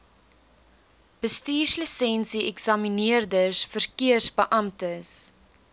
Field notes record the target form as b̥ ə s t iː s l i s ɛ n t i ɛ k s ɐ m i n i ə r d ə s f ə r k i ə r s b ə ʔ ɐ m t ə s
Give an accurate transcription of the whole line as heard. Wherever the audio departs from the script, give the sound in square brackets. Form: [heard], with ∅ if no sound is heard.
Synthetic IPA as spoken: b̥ ə s t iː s l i s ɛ n [s] i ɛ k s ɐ m i n i ə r d ə s f ə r k i ə r s b ə ʔ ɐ m t ə s